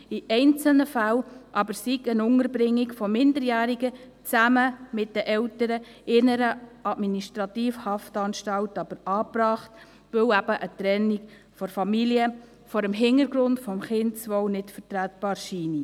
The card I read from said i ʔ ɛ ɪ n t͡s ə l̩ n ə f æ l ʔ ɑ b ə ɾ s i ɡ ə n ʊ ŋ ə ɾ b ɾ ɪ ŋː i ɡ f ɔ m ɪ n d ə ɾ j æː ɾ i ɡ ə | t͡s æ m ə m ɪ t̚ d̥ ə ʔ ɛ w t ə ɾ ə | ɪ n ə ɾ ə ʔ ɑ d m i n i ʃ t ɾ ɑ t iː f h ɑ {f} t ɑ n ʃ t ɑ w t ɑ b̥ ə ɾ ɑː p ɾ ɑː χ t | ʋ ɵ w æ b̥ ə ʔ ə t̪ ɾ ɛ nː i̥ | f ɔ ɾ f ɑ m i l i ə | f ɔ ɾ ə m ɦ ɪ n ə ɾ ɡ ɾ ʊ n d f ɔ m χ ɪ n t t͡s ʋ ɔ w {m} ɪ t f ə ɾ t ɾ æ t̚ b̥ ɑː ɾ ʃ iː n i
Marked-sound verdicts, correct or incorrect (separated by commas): correct, incorrect